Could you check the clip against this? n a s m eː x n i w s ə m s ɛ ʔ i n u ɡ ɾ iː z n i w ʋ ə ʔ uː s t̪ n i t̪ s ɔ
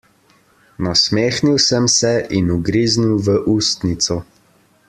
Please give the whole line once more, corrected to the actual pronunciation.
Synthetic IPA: n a s m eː x n i w s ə m s ɛ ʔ i n u ɡ ɾ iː z n i w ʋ ə ʔ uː s t̪ n i t̪ s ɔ